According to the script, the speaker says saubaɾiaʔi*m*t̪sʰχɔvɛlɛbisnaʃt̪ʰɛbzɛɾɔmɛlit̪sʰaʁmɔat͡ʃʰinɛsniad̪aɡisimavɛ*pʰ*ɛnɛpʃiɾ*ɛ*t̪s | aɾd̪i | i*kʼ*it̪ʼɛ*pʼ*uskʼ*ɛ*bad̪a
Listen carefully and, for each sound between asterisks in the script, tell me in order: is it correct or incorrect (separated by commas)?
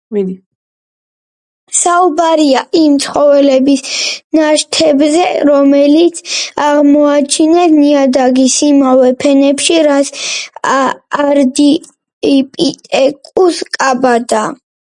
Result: correct, correct, incorrect, incorrect, incorrect, incorrect